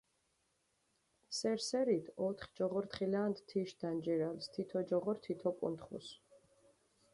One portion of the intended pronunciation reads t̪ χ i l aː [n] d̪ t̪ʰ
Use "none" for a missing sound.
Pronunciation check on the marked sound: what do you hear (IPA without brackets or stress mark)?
n